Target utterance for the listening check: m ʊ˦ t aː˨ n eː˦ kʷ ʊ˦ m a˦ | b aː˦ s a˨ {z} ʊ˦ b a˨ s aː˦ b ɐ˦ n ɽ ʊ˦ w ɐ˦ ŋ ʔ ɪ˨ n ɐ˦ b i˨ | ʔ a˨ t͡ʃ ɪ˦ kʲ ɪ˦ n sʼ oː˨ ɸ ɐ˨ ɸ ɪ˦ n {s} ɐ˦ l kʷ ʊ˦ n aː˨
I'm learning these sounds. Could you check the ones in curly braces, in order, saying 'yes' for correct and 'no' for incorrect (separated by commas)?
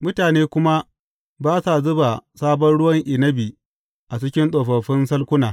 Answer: yes, yes